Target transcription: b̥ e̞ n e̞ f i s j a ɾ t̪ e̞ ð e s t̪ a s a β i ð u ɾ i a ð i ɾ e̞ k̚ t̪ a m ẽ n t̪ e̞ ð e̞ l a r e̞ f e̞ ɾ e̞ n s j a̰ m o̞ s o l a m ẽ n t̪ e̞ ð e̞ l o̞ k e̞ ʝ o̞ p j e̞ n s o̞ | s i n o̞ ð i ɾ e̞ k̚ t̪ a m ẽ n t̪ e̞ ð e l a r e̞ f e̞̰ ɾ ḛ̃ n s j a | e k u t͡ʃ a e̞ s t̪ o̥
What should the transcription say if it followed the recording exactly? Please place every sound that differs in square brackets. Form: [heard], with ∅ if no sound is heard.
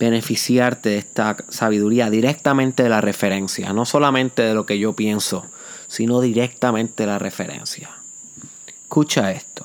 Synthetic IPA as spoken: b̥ e̞ n e̞ f i s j a ɾ t̪ e̞ ð e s t̪ a s a β i ð u ɾ i a ð i ɾ e̞ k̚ t̪ a m ẽ n t̪ e̞ ð e̞ l a r e̞ f e̞ ɾ e̞ n s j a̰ [n] o̞ s o l a m ẽ n t̪ e̞ ð e̞ l o̞ k e̞ ʝ o̞ p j e̞ n s o̞ | s i n o̞ ð i ɾ e̞ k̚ t̪ a m ẽ n t̪ e̞ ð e l a r e̞ f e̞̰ ɾ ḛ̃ n s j a | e k u t͡ʃ a e̞ s t̪ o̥